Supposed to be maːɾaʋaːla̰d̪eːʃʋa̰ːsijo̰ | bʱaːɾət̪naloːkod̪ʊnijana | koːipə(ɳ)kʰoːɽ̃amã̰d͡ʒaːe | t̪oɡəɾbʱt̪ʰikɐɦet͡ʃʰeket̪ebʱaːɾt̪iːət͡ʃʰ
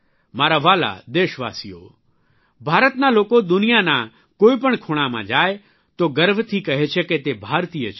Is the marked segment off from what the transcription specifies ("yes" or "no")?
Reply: no